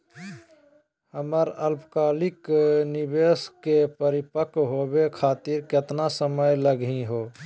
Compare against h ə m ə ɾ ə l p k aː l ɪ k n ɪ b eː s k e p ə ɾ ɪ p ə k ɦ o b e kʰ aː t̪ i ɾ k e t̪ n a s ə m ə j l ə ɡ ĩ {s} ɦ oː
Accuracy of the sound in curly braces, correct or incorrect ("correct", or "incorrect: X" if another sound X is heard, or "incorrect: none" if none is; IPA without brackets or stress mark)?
incorrect: none